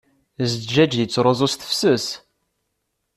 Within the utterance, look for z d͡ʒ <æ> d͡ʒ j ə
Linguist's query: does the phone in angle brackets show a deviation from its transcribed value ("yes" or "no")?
no